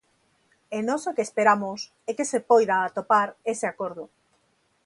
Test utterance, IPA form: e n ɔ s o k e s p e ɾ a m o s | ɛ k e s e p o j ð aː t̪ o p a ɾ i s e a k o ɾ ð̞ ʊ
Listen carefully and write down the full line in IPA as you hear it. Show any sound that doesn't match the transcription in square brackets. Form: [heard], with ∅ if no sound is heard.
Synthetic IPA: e n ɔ s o k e s p e ɾ a m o s | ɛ k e s e p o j ð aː t̪ o p a ɾ [e] s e a k o ɾ ð̞ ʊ